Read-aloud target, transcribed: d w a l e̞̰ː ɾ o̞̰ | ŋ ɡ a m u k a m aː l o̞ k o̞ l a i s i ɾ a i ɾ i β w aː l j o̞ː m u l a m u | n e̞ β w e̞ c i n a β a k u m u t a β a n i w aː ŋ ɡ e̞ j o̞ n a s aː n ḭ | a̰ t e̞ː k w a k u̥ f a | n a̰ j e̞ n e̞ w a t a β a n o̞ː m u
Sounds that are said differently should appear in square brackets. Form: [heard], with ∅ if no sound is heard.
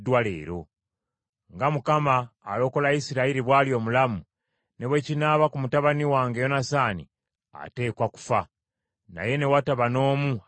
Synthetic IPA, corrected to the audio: d w a l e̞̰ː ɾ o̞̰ | ŋ ɡ a m u k a m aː l o̞ k o̞ l a i s i ɾ a i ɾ i β w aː l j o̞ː m u l a m u | n e̞ β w e̞ c i n a β a k u m u t a β a n i w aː ŋ ɡ e̞ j o̞ n a s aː n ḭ | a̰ t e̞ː k w a k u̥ f a | n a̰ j e̞ n e̞ w a t a β a n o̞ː m u